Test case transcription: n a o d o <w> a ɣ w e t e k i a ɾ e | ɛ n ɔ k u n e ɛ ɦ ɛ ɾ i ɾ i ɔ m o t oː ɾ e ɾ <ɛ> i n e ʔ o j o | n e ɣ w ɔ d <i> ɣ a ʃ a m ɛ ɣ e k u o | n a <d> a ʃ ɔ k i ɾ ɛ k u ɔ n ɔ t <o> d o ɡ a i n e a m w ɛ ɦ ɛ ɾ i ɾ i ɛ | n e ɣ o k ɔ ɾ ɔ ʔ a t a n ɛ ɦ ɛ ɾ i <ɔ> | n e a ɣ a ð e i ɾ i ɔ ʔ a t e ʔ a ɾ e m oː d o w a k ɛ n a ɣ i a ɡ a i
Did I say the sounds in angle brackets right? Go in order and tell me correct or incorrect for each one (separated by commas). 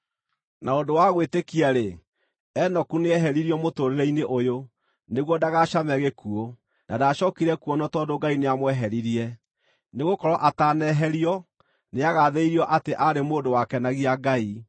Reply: correct, correct, incorrect, correct, incorrect, correct